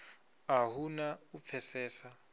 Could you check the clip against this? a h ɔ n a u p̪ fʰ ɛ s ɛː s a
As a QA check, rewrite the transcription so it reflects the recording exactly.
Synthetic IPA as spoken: a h u n a u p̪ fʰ ɛ s ɛː s a